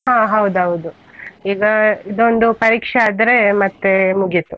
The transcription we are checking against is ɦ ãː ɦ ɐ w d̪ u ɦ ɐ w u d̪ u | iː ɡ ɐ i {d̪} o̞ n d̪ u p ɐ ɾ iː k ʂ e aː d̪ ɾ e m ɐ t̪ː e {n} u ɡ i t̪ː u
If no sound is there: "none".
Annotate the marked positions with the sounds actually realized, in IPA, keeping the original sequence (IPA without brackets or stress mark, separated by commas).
d̪, m